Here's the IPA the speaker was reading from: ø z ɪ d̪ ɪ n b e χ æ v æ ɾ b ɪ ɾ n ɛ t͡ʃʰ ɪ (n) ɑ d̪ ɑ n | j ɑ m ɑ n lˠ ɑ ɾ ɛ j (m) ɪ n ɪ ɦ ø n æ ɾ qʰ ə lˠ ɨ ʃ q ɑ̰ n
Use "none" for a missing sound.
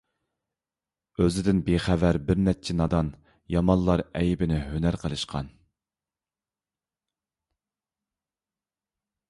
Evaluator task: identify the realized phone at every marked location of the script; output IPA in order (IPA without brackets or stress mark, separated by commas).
n, b